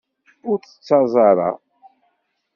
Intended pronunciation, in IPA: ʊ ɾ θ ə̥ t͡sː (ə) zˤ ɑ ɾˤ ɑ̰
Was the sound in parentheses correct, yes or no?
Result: no